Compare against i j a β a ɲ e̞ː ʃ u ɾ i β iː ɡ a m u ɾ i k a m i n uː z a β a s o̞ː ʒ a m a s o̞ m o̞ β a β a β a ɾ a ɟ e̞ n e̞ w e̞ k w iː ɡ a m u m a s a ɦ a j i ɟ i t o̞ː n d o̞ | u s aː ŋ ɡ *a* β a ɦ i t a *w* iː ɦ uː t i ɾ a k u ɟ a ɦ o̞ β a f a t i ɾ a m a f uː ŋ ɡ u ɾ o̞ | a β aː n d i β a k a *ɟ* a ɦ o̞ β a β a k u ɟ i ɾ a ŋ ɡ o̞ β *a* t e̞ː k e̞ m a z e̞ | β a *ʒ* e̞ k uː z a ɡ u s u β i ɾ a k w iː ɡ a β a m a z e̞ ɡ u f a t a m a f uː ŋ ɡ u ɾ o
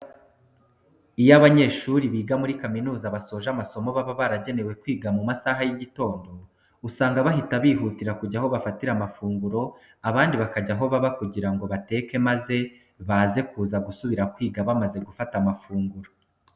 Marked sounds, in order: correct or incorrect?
correct, incorrect, correct, correct, incorrect

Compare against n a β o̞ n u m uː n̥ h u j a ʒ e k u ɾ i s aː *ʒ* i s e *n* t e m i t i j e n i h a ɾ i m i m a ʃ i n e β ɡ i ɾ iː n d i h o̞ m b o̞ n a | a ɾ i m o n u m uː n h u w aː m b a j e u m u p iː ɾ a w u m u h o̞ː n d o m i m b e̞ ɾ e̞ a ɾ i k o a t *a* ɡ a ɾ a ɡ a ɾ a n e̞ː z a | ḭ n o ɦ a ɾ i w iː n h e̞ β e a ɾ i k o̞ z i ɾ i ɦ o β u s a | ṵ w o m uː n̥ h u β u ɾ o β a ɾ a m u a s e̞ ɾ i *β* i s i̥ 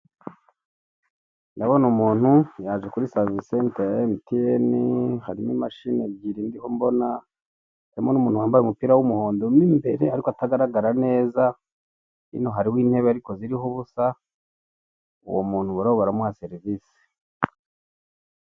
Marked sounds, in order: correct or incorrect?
incorrect, correct, correct, incorrect

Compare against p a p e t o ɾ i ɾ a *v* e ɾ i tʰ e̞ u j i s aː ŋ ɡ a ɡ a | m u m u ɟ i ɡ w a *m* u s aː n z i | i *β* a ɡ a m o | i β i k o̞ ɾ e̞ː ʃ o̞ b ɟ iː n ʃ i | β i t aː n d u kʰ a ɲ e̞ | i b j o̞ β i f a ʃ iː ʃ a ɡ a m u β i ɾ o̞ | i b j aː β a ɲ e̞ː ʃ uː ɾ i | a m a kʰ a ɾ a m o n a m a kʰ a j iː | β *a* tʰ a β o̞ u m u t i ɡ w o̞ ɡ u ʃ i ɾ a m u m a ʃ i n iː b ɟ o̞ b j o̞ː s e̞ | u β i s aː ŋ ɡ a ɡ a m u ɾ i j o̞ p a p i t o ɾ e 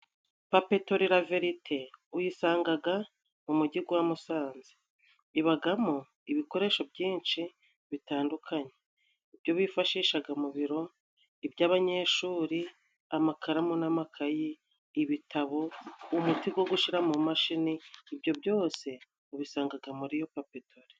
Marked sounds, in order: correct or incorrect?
correct, correct, correct, incorrect

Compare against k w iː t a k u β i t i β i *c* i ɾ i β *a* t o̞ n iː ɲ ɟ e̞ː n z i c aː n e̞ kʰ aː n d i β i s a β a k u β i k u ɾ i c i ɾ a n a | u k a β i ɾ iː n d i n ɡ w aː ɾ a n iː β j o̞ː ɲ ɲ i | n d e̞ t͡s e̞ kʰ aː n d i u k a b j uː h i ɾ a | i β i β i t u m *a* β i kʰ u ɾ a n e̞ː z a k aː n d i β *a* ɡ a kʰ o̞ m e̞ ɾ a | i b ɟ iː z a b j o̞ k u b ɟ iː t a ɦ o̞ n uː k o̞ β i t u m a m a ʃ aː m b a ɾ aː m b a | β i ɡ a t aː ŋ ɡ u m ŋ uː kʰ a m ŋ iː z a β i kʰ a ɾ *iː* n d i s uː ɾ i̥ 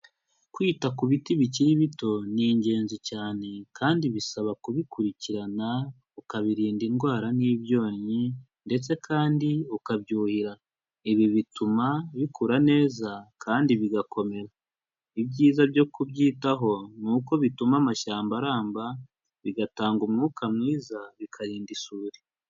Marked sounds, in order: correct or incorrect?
correct, incorrect, correct, incorrect, correct

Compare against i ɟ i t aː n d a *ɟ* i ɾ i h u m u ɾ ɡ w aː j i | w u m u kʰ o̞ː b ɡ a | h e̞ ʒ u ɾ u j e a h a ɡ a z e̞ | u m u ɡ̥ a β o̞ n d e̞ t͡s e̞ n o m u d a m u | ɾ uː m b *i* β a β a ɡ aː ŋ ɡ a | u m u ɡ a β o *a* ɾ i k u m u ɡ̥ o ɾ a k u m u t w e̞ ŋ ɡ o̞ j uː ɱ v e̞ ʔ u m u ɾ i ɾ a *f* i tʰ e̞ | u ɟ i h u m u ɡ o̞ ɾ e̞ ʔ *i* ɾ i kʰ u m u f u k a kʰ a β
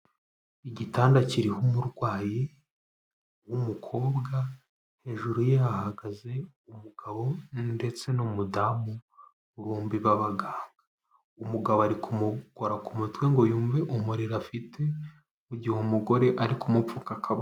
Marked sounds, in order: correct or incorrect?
incorrect, correct, correct, correct, incorrect

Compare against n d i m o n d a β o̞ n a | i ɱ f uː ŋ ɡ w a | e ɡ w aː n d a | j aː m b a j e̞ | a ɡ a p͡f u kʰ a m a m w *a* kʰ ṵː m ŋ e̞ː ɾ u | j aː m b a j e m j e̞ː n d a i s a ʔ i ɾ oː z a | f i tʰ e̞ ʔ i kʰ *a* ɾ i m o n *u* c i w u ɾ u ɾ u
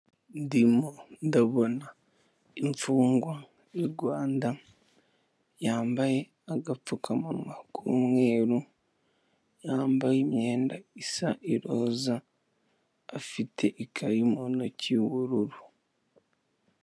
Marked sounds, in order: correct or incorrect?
correct, correct, incorrect

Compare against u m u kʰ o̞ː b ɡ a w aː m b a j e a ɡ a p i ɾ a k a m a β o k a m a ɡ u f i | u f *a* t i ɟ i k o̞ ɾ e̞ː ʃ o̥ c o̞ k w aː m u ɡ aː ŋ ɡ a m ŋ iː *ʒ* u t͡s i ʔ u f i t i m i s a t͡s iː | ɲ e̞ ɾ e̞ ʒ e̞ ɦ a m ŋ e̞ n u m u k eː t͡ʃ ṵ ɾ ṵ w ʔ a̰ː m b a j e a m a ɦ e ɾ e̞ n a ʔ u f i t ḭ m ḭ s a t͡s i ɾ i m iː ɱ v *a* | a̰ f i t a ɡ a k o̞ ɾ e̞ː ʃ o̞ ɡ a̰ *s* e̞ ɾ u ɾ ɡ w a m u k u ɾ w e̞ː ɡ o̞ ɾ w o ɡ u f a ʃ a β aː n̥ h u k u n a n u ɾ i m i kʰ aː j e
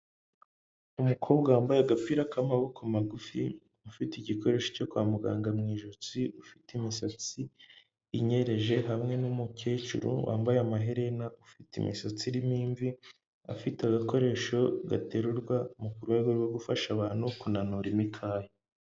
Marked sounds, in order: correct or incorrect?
incorrect, correct, incorrect, incorrect

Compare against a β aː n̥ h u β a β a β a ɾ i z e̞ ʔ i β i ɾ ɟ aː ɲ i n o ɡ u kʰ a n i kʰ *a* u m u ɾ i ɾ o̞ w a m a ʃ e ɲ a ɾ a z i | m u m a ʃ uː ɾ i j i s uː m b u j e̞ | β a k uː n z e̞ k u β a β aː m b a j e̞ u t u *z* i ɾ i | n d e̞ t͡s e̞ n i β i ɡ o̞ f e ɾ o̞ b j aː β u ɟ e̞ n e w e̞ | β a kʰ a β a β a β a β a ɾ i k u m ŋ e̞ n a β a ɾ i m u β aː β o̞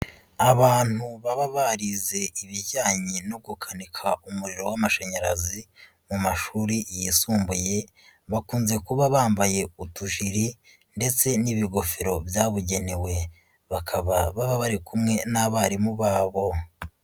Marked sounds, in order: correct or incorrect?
correct, incorrect

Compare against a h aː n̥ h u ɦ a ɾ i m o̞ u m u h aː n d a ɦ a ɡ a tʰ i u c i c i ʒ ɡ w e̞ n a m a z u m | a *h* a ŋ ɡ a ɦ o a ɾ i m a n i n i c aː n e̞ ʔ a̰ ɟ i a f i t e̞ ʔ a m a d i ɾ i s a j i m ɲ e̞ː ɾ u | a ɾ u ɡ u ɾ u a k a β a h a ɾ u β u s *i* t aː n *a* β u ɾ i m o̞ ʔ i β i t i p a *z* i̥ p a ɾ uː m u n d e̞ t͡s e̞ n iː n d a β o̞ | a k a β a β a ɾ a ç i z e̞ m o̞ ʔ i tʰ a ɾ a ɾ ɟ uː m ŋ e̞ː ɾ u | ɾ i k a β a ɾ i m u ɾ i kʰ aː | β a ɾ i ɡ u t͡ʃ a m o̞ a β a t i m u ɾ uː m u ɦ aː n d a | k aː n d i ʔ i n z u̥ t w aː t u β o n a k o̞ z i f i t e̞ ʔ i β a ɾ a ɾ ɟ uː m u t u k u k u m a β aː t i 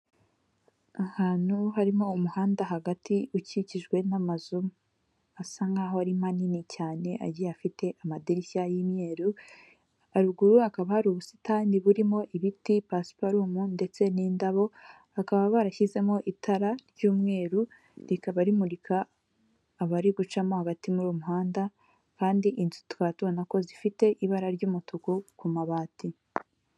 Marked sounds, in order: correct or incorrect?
incorrect, correct, incorrect, incorrect

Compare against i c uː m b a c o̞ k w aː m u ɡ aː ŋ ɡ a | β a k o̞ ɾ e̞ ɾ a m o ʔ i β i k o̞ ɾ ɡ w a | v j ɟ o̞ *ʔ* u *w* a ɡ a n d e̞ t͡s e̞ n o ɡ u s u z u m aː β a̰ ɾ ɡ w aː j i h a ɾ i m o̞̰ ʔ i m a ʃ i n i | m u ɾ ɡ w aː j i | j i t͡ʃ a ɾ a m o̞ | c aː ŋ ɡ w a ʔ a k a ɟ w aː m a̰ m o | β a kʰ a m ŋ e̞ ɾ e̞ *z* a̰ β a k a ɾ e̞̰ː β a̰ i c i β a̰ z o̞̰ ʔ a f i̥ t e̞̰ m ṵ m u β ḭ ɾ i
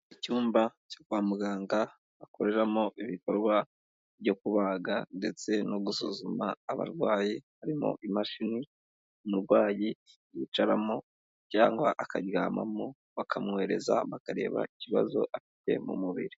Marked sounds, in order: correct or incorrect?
incorrect, incorrect, correct

